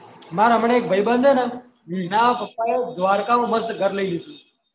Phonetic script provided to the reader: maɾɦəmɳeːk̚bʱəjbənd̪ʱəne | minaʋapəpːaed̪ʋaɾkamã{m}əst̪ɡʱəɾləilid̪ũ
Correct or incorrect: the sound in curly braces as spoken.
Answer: correct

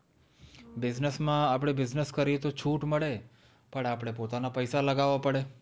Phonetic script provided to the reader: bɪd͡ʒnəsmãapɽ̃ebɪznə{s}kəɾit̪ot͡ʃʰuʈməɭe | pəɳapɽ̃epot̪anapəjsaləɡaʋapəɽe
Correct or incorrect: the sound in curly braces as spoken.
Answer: correct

